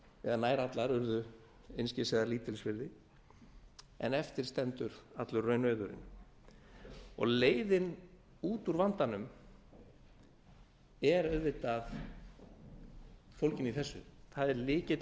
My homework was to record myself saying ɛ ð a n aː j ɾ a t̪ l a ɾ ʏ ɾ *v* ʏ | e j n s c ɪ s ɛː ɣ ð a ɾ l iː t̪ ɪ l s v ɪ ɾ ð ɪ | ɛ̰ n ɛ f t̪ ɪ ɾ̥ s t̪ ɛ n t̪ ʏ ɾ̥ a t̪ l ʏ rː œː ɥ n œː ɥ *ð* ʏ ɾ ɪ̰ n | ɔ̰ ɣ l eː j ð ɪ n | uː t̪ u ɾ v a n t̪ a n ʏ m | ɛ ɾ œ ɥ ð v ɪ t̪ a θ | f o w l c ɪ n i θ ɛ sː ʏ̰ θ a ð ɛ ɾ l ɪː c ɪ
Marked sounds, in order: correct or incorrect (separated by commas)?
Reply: incorrect, correct